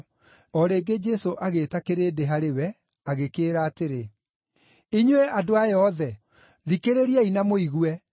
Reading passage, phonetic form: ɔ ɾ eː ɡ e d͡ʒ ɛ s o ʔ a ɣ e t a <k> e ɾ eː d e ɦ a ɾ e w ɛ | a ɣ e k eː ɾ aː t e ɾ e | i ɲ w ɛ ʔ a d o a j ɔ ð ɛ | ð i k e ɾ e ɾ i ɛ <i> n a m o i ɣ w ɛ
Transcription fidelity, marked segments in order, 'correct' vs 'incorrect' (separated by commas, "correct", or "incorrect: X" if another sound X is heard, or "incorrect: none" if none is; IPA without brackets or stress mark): correct, correct